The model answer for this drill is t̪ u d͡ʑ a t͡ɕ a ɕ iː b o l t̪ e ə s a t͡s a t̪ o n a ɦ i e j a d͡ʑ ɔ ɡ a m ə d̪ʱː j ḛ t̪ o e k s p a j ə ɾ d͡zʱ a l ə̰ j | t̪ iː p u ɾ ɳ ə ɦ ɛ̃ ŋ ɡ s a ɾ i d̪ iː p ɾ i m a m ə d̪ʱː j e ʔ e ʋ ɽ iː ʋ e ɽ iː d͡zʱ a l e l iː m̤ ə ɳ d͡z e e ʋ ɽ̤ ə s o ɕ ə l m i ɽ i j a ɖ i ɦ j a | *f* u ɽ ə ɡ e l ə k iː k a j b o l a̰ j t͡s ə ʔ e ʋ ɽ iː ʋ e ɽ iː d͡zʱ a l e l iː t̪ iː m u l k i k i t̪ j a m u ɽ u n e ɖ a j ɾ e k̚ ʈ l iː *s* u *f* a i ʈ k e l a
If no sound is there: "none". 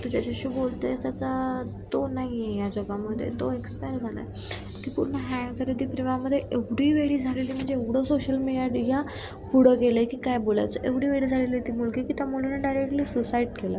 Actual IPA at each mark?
f, s, s

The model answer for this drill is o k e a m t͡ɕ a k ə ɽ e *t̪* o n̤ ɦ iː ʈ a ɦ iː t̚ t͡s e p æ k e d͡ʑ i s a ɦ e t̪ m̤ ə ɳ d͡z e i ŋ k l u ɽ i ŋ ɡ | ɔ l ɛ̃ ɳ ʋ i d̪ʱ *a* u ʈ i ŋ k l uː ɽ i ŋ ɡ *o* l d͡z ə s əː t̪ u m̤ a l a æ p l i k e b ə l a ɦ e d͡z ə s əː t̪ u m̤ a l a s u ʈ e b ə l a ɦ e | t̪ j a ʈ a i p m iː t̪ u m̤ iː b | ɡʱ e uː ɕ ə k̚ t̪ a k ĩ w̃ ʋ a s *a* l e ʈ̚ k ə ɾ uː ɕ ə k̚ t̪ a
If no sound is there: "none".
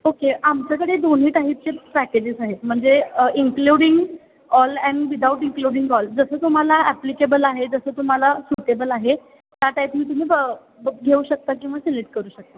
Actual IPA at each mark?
d̪, a, ɔ, e

